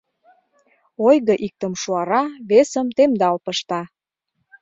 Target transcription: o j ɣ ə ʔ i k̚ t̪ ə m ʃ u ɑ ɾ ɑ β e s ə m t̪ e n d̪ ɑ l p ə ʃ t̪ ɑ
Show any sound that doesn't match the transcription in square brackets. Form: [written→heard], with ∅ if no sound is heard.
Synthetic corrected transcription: o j ɣ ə ʔ i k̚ t̪ ə m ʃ u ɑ ɾ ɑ β e s ə m t̪ e [n→m] d̪ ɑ l p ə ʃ t̪ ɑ

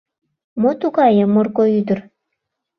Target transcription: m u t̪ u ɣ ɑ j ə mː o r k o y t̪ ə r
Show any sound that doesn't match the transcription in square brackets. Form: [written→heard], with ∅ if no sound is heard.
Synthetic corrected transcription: m [u→o] t̪ u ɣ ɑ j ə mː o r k o y [t̪→d̪] ə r

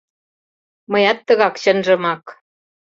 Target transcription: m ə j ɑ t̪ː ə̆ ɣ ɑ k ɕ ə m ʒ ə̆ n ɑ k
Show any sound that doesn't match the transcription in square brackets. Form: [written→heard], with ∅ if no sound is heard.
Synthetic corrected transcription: m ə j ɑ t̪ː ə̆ ɣ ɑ k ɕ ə [m→n] ʒ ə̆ [n→m] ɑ k

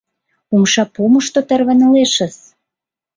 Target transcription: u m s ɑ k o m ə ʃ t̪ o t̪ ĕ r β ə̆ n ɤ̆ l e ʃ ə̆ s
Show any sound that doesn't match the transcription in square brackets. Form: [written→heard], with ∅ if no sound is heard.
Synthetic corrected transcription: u m [s→ʃ] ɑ [k→p] o m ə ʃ t̪ o t̪ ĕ r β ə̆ n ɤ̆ l e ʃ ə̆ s

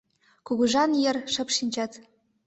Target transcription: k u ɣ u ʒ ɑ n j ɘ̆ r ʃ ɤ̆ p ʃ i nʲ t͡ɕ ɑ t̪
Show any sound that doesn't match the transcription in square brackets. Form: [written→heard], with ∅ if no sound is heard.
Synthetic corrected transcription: k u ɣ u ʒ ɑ n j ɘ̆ r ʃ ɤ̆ p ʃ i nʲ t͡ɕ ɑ t̪

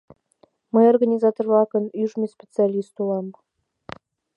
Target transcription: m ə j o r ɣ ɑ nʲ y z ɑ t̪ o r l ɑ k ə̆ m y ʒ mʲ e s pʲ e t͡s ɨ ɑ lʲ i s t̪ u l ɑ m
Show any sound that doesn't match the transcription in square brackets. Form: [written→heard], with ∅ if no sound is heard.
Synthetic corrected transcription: m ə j o r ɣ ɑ nʲ [y→i] z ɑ t̪ o r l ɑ k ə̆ [m→n] y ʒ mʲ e s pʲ e t͡s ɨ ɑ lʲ i s t̪ u l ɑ m

